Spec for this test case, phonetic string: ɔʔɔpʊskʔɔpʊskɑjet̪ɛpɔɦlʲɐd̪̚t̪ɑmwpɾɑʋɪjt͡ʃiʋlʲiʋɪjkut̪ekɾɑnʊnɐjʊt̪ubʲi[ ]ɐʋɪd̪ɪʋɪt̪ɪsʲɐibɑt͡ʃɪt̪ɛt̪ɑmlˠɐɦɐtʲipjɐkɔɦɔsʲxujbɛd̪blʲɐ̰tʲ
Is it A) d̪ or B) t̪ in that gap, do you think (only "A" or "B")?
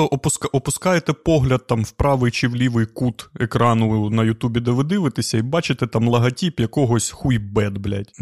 A